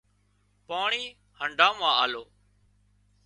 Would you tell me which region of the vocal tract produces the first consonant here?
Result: lips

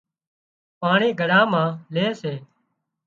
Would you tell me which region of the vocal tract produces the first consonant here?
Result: lips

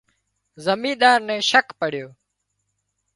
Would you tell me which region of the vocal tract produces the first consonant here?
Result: tongue tip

